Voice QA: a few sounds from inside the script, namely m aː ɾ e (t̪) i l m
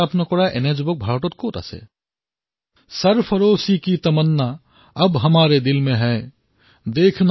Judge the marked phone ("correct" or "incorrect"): incorrect